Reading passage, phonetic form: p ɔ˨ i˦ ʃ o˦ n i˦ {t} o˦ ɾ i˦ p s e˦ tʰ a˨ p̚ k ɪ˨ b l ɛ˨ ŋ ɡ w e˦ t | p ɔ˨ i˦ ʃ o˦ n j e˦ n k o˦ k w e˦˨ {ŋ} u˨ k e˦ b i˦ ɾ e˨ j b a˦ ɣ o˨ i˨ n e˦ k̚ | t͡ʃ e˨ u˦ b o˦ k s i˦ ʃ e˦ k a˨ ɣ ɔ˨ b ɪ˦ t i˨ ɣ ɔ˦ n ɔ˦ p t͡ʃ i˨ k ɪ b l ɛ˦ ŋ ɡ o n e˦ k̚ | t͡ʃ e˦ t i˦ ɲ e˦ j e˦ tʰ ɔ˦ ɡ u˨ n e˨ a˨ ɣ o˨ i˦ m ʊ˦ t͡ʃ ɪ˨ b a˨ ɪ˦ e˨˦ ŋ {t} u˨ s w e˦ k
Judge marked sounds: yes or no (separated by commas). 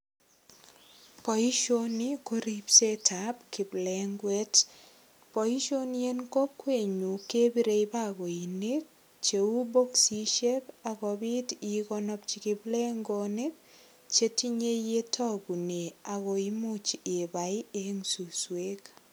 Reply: no, no, no